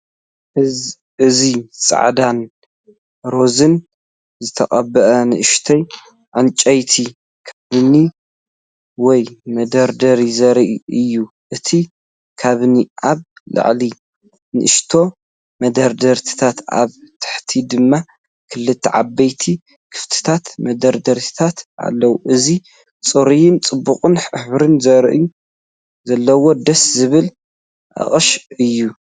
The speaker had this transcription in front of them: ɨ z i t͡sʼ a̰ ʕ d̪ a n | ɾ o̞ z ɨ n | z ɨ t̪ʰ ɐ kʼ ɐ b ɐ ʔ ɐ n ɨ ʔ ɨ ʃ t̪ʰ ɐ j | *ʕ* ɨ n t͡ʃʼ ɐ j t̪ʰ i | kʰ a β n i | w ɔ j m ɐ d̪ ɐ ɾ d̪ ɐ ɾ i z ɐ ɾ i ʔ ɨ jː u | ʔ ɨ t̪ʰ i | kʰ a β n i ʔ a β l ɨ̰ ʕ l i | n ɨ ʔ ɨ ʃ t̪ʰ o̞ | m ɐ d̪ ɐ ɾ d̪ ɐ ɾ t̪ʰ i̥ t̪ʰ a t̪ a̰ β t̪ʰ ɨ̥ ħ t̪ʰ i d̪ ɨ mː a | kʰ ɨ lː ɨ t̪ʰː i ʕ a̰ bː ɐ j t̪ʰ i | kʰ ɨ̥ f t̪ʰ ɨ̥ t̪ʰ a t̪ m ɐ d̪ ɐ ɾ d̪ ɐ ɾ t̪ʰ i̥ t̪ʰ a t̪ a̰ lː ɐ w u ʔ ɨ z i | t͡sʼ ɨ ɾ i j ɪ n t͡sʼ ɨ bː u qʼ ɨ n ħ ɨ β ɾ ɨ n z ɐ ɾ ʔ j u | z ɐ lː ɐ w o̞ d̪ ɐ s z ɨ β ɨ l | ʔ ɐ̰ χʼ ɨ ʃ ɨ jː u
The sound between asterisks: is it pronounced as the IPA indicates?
yes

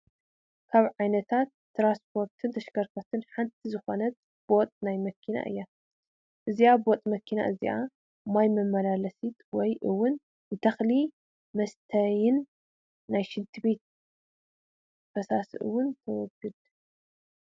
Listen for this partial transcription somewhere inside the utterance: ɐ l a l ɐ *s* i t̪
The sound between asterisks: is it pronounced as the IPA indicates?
yes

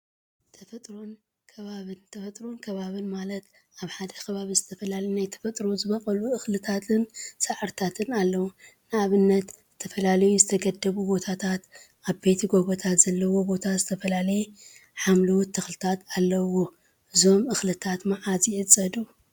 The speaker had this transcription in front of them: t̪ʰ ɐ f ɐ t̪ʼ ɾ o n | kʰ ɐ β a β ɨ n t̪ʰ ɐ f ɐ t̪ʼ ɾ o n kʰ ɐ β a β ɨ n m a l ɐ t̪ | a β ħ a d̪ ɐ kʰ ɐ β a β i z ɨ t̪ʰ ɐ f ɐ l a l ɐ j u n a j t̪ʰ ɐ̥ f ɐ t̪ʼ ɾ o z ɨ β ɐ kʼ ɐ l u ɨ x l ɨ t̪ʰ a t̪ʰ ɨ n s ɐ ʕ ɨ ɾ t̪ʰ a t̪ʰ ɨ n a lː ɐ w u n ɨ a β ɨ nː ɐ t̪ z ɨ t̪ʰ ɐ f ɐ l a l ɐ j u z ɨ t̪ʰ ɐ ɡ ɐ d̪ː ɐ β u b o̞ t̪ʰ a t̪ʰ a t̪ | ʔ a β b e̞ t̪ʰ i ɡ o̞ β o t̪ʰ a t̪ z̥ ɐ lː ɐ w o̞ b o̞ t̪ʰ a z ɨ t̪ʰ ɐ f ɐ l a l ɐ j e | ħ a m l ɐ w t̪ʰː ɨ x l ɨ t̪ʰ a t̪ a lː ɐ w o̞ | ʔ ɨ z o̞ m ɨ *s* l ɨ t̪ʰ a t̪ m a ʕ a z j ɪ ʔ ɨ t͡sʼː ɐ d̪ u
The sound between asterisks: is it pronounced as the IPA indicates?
no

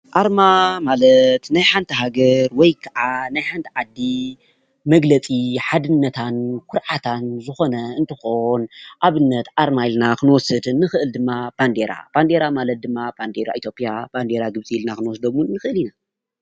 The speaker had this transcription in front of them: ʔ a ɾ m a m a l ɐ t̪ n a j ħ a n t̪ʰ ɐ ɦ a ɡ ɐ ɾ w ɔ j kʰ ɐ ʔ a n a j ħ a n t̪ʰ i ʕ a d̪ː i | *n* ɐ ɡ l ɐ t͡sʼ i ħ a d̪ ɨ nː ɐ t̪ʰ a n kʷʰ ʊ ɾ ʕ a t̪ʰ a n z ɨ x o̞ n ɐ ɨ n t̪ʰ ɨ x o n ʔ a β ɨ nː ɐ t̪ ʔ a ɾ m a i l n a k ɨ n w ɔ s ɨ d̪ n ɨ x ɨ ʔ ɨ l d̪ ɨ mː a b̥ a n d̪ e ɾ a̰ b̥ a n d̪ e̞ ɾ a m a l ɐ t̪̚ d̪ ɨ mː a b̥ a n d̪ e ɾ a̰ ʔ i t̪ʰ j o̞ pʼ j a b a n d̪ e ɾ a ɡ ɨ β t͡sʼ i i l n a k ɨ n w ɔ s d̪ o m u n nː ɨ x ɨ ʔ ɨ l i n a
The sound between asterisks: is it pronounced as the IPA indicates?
no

